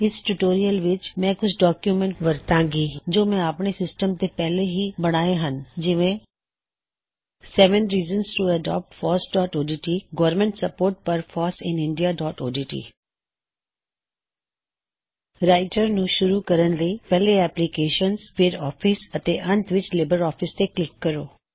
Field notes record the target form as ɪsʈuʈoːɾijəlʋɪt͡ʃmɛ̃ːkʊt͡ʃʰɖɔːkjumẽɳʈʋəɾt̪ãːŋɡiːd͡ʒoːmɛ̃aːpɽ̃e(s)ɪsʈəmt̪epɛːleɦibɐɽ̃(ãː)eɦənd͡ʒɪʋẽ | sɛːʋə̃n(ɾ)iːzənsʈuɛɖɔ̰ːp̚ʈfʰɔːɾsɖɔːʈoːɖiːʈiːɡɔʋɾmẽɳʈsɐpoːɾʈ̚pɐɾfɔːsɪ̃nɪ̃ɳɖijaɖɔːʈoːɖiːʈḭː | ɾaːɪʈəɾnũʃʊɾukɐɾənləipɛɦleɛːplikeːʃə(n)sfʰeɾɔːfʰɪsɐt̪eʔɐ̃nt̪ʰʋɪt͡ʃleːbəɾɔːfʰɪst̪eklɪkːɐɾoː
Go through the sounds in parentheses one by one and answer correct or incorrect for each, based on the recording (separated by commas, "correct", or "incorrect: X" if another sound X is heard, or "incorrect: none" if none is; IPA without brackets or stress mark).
correct, incorrect: aː, correct, correct